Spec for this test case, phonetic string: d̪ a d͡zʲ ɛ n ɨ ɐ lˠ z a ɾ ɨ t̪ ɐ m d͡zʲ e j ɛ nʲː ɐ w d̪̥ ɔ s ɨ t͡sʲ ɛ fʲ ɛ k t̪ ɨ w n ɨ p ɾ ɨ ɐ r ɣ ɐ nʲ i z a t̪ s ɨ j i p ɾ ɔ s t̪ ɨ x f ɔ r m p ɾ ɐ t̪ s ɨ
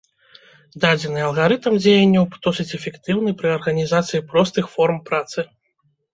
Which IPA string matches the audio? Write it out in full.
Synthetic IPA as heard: d̪ a d͡zʲ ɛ n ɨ ɐ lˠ ɣ a ɾ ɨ t̪ ɐ m d͡zʲ e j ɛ nʲː ɐ w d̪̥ ɔ s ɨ t͡sʲ ɛ fʲ ɛ k t̪ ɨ w n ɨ p ɾ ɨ ɐ r ɣ ɐ nʲ i z a t̪ s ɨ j i p ɾ ɔ s t̪ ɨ x f ɔ r m p ɾ a t̪ s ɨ